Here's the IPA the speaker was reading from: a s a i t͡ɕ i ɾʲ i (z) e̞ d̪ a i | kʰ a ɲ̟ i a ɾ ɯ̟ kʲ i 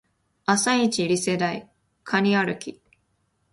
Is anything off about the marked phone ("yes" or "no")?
yes